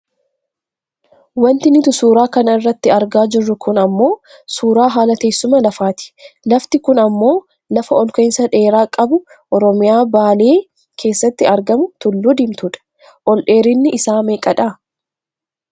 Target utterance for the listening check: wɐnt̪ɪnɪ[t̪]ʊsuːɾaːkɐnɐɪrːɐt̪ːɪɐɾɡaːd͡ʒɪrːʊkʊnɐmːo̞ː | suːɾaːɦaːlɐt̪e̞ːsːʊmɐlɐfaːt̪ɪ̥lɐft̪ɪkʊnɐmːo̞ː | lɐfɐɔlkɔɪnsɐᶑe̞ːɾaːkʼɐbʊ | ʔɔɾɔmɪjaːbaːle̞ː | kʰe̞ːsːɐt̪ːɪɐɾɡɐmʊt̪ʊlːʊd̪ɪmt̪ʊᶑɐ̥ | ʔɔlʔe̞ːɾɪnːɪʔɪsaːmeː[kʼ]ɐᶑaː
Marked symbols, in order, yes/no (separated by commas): yes, yes